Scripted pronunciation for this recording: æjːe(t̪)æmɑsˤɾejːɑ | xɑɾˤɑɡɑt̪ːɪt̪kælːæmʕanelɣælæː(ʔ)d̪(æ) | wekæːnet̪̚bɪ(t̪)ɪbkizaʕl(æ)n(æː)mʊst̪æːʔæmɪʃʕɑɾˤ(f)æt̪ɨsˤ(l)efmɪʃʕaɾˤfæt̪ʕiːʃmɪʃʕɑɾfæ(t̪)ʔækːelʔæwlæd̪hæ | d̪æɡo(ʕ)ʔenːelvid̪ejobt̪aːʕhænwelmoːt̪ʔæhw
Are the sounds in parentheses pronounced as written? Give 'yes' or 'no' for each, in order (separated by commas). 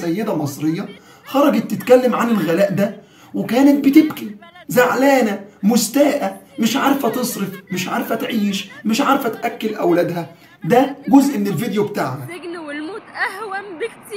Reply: no, yes, yes, yes, no, no, yes, no, yes, no